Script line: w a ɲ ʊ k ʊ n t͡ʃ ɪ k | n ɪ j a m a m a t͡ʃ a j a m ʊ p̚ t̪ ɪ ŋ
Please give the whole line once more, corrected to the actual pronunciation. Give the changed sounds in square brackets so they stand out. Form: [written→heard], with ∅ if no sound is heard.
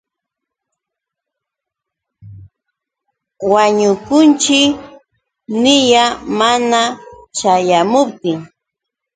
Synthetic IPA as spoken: w a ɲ ʊ k ʊ n t͡ʃ ɪ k | n ɪ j a m a [m→n] a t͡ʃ a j a m ʊ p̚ t̪ ɪ ŋ